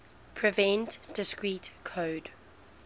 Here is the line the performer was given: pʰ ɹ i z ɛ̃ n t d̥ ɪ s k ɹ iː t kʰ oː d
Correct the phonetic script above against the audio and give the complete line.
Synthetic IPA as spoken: pʰ ɹ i v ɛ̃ n t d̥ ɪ s k ɹ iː t kʰ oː d